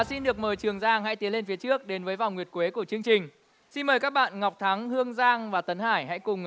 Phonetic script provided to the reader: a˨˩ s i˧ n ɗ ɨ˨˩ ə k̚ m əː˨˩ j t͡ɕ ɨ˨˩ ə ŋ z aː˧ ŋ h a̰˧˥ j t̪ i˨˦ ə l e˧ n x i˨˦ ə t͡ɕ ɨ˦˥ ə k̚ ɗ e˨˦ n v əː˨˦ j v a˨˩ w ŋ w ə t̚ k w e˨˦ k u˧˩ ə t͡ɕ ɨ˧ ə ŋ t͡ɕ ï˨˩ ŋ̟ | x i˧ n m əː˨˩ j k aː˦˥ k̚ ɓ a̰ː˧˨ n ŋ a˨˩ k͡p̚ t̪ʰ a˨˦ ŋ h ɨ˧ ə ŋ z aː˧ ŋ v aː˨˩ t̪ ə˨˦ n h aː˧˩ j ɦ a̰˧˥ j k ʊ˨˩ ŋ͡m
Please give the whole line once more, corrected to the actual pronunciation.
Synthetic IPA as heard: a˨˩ s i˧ n ɗ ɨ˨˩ ə k̚ m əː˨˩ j t͡ɕ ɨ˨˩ ə ŋ z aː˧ ŋ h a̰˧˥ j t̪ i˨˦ ə l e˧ n f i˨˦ ə t͡ɕ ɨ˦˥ ə k̚ ɗ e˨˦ n v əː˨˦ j v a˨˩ w ŋ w ə t̚ k w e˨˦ k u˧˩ ə t͡ɕ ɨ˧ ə ŋ t͡ɕ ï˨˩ ŋ̟ | s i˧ n m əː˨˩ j k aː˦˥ k̚ ɓ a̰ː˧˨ n ŋ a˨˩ k͡p̚ t̪ʰ a˨˦ ŋ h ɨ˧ ə ŋ z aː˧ ŋ v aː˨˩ t̪ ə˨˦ n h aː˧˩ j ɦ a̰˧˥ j k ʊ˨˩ ŋ͡m

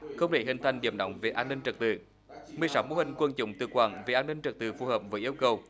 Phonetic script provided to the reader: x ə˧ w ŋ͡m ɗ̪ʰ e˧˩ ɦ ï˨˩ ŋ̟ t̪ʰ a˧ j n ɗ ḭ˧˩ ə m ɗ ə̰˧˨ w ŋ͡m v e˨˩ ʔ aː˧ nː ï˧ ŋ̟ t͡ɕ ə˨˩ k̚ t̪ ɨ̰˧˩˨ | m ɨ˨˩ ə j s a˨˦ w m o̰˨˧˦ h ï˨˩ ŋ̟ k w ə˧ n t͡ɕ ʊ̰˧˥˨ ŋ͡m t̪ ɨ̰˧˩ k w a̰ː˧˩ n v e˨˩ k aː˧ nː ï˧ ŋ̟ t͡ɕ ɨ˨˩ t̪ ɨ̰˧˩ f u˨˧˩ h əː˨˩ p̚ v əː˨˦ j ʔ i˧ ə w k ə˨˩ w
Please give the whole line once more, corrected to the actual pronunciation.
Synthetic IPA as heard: x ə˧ w ŋ͡m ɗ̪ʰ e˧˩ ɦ ï˨˩ ŋ̟ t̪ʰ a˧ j ŋ ɗ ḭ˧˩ ə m ɗ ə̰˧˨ w ŋ͡m v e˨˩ ʔ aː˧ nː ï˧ ŋ̟ t͡ɕ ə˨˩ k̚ t̪ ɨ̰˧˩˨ | m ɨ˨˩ ə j s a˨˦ w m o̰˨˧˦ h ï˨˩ ŋ̟ k w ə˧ n t͡ɕ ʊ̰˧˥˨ ŋ͡m t̪ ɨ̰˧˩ k w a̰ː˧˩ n v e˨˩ ʔ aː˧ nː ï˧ ŋ̟ t͡ɕ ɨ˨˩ t̪ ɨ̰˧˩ f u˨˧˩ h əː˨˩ p̚ v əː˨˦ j ʔ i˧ ə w k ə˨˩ w

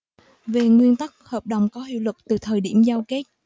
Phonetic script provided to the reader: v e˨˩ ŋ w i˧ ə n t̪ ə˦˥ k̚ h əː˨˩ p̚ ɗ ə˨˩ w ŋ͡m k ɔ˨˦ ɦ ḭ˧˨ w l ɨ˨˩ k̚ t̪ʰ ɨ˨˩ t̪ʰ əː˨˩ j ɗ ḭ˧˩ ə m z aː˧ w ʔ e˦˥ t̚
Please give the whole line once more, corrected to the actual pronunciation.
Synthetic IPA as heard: v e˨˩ ŋ w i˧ ə n t̪ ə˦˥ k̚ h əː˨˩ p̚ ɗ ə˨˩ w ŋ͡m k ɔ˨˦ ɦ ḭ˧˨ w l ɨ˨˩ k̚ t̪ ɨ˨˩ t̪ʰ əː˨˩ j ɗ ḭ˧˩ ə m z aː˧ w k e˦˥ t̚

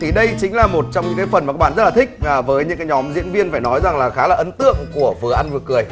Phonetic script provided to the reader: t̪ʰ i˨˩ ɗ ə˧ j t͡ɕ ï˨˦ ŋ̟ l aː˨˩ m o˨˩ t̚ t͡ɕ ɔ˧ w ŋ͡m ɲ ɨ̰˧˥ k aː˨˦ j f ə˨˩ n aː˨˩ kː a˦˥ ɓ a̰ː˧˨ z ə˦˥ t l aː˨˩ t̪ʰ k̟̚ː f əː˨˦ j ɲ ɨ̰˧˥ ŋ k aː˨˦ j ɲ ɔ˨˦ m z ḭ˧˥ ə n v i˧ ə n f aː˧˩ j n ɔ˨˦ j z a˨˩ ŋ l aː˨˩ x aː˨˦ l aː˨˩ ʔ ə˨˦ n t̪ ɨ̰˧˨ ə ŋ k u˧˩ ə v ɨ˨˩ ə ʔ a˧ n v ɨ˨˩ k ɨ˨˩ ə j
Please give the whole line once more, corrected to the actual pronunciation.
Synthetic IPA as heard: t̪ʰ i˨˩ ɗ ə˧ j t͡ɕ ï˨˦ ŋ̟ l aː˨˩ m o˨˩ t̚ t͡ɕ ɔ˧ w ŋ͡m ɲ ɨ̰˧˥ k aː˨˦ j f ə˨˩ n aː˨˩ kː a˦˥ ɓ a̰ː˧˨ z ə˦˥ t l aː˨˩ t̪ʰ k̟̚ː v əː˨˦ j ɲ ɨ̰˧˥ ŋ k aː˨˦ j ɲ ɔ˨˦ m z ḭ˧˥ ə n v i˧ ə n f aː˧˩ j n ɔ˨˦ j z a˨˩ ŋ l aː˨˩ x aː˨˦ l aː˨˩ ʔ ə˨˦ n t̪ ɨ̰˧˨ ə ŋ k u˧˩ ə v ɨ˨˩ ə ʔ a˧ n v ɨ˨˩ k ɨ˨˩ ə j

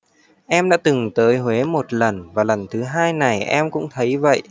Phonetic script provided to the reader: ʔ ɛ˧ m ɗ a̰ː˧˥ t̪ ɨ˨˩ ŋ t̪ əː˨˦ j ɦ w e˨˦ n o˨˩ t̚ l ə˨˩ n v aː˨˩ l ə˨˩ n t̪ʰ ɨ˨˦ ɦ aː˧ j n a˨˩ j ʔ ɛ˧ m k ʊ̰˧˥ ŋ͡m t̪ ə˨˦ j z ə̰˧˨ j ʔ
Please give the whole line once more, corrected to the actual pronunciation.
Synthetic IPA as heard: ʔ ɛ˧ m ɗ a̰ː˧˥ t̪ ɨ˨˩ ŋ t̪ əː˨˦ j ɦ w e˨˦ m o˨˩ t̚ l ə˨˩ n v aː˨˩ l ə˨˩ n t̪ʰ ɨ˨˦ ɦ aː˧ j n a˨˩ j ʔ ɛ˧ m k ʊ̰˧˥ ŋ͡m t̪ʰ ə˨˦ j v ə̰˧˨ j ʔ

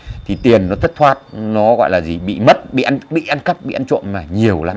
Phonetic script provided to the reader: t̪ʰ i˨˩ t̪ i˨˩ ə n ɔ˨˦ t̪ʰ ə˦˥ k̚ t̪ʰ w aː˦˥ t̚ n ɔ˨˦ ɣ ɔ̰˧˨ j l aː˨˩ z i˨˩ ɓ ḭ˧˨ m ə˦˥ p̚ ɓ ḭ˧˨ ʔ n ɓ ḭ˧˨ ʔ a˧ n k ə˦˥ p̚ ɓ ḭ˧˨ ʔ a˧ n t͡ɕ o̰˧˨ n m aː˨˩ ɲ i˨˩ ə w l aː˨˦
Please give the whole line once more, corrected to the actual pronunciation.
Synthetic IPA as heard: t̪ʰ i˨˩ t̪ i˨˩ ə nː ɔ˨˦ t̪ʰ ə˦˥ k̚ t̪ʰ w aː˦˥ t̚ n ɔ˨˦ ɣ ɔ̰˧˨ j l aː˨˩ z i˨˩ ɓ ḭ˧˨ m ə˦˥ t̚ ɓ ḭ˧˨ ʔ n ɓ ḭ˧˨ ʔ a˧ n k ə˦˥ p̚ ɓ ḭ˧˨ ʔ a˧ n t͡ɕ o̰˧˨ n m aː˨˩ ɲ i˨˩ ə w l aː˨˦

